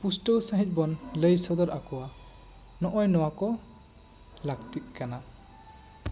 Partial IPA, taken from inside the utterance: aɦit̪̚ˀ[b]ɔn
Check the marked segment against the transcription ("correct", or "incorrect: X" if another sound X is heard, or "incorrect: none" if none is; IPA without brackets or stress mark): correct